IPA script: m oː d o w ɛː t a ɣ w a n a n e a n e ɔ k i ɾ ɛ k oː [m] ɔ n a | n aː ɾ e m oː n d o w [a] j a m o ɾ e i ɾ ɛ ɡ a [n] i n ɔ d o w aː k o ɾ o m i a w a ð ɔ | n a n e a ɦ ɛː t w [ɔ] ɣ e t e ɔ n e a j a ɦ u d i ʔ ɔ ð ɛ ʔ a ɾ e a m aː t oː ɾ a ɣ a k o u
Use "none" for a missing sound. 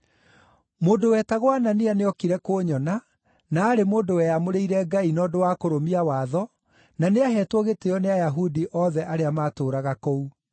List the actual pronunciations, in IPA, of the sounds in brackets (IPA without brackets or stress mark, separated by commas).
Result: ɲ, ɛ, none, ɔ